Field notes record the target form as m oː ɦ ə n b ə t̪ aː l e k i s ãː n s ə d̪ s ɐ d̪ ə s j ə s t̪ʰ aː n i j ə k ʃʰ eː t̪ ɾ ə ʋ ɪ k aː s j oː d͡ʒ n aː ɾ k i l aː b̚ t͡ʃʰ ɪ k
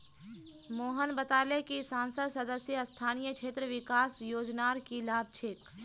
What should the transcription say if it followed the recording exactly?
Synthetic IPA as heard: m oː ɦ ə n b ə t̪ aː l e k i s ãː n s ə d̪ s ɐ d̪ ə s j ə s t̪ʰ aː n i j ə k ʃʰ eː t̪ ɾ ə ʋ ɪ k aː s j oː d͡ʒ n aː ɾ k i l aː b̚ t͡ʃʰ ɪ k

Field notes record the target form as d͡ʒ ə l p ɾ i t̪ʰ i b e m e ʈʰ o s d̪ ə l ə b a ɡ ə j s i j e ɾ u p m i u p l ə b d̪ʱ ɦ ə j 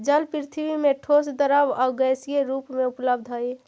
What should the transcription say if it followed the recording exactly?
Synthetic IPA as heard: d͡ʒ ə l p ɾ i t̪ʰ i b i m e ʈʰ o s d̪ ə ɾ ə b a ɡ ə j s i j e ɾ u p m e u p l ə b d̪ʱ ɦ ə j

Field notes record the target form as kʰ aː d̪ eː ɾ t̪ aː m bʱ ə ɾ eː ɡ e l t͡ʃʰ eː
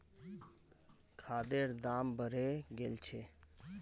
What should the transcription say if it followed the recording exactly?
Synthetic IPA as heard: kʰ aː d̪ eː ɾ d̪ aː m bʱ ə ɾ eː ɡ e l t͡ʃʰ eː

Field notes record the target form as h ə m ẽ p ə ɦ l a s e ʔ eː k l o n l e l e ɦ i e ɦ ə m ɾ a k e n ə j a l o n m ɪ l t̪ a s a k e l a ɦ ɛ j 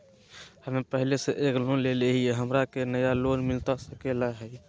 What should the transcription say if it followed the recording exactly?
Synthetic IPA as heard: h ə m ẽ p ə ɦ l e s e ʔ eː k l o n l e l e ɦ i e ɦ ə m ɾ a k e n ə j a l o n m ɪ l t̪ a s ə k e l a ɦ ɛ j

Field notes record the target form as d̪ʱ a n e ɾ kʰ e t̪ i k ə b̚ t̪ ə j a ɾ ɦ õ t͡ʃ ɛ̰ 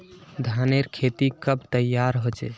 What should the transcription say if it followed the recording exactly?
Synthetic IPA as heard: d̪ʱ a n e ɾ kʰ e t̪ i k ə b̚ t̪ ə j a ɾ ɦ o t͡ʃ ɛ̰

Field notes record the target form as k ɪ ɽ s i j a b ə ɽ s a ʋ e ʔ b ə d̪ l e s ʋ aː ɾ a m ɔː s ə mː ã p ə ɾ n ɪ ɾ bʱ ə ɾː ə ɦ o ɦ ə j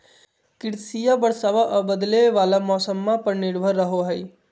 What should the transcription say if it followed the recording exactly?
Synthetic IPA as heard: k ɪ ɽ s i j a b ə ɽ s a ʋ a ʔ b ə d̪ l e ʋ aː l a m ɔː s ə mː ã p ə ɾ n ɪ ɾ bʱ ə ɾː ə ɦ o ɦ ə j

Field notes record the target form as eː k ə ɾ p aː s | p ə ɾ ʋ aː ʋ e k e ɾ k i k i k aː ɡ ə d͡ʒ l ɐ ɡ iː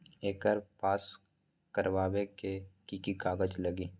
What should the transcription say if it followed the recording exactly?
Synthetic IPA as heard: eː k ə ɾ p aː s | k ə ɾ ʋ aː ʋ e k e k i k i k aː ɡ ə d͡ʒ l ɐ ɡ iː

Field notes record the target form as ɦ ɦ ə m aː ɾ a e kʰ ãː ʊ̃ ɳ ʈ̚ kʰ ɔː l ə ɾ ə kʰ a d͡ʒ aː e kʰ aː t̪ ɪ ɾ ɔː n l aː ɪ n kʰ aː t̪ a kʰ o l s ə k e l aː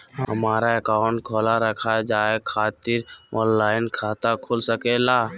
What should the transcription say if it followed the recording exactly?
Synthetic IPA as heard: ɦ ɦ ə m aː ɾ a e k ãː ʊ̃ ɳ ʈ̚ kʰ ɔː l a ɾ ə kʰ a d͡ʒ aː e kʰ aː t̪ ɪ ɾ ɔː n l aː ɪ n kʰ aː t̪ a kʰ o l s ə k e l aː

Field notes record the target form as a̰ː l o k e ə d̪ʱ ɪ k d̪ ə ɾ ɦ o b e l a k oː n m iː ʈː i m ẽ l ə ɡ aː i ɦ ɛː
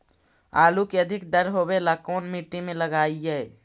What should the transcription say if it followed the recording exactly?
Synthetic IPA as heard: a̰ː l u k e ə d̪ʱ ɪ k d̪ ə ɾ ɦ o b e l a k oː n m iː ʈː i m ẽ l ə ɡ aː i ɦ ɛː

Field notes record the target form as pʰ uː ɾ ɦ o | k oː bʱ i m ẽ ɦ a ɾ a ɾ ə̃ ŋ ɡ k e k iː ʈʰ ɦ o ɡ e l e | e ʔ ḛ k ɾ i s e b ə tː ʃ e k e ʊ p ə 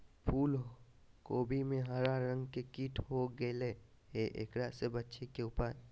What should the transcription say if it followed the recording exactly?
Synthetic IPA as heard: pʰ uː l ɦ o | k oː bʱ i m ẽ ɦ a ɾ a ɾ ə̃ ŋ ɡ k e k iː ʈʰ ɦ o ɡ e l e | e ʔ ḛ k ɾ a s e b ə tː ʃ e k e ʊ p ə

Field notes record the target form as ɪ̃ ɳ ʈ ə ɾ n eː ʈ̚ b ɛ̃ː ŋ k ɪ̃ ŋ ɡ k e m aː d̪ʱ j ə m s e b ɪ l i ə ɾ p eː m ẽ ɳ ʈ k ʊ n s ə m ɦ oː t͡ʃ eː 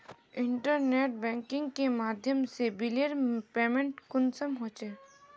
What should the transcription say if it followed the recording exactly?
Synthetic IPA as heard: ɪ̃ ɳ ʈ ə ɾ n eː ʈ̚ b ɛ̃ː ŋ k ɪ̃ ŋ ɡ k e m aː d̪ʱ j ə m s e b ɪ l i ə ɾ p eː m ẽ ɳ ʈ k ʊ n s ə m ɦ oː t͡ʃ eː

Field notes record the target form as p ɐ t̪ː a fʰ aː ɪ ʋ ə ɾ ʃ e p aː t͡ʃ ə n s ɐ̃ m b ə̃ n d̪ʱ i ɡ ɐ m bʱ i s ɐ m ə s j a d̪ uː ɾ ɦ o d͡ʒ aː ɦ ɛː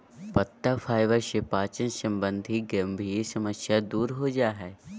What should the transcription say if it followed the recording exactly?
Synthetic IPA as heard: p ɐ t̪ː a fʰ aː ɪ ʋ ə ɾ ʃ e p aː t͡ʃ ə n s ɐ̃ m b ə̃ n d̪ʱ i ɡ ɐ m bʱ i s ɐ m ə s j a d̪ uː ɾ ɦ o d͡ʒ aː ɦ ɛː

